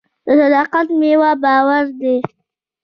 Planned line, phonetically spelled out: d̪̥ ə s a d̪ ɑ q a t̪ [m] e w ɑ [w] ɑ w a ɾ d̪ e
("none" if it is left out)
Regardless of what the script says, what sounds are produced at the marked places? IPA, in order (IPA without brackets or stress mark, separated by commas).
m, b